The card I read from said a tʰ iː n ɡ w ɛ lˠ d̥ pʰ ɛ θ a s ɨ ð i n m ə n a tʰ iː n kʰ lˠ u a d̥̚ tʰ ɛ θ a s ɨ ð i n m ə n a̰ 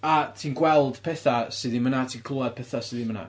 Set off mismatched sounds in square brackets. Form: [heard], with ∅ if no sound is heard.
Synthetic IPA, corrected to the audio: a tʰ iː n ɡ w ɛ lˠ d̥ pʰ ɛ θ a s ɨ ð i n m ə n a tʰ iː n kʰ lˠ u a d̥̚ [pʰ] ɛ θ a s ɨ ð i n m ə n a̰